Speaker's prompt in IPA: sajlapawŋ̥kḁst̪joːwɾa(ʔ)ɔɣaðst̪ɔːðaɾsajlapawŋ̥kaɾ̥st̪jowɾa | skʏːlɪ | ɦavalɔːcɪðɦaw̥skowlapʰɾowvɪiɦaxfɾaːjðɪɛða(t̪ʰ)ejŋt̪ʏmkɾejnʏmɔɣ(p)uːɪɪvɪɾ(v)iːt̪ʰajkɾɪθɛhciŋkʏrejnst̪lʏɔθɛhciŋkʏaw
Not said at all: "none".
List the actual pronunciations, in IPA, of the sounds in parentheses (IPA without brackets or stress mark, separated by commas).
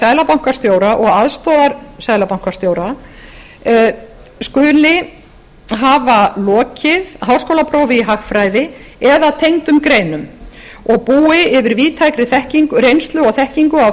ʔ, t̪ʰ, p, v